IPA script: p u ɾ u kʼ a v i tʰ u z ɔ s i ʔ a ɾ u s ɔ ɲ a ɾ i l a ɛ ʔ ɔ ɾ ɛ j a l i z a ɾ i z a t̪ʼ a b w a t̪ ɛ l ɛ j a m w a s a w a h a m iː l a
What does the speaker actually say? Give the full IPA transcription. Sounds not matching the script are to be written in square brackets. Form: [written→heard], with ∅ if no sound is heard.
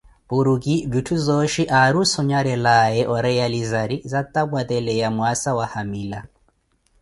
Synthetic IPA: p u ɾ u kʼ [a→i] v i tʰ u z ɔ [s→ʃ] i ʔ a ɾ u s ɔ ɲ a ɾ [i→ɛ] l a ɛ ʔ ɔ ɾ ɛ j a l i z a ɾ i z a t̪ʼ a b w a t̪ ɛ l ɛ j a m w a s a w a h a m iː l a